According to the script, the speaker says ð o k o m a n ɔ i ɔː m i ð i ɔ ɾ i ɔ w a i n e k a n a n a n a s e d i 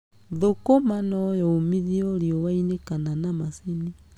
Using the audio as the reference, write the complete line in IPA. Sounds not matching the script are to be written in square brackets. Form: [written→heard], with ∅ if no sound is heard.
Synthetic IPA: ð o k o m a n ɔ [i→j] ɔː m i ð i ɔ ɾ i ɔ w a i n e k a n a n a [n→m] a s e [d→n] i